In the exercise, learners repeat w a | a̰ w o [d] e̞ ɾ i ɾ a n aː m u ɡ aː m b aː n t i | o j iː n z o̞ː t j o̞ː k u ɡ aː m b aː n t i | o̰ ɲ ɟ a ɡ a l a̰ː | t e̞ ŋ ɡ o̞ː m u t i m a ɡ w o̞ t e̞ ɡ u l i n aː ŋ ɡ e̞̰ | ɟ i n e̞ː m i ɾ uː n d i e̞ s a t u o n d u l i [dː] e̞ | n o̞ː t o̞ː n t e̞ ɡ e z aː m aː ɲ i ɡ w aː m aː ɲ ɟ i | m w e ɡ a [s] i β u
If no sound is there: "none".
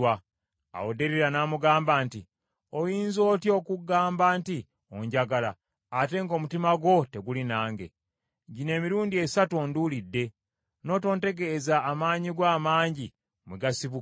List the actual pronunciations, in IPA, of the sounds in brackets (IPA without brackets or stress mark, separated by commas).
d, dː, s